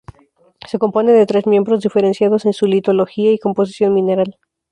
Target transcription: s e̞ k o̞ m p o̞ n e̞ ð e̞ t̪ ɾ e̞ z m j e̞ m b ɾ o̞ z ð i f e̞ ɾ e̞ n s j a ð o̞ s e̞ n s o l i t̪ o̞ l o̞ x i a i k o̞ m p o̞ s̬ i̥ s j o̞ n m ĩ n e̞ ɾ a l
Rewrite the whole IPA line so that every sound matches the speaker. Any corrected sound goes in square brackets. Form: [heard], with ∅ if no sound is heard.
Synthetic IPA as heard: s e̞ k o̞ m p o̞ n e̞ ð e̞ t̪ ɾ e̞ z m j e̞ m b ɾ o̞ z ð i f e̞ ɾ e̞ n s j a ð o̞ s e̞ n s [u] l i t̪ o̞ l o̞ x i a i k o̞ m p o̞ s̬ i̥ s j o̞ n m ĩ n e̞ ɾ a l